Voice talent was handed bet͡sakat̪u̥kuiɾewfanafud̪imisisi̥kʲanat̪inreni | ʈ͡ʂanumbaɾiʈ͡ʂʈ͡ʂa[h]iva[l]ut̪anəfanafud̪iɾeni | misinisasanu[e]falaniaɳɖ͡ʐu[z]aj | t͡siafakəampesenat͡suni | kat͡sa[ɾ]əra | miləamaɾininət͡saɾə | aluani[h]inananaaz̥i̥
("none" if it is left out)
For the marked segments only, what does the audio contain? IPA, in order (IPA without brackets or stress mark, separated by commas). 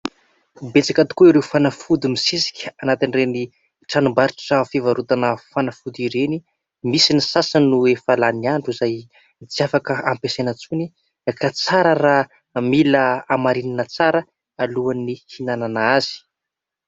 f, ɾ, e, z, ɾ, h